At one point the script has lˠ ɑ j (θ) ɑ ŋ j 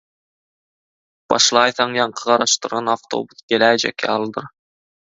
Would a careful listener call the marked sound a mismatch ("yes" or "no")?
no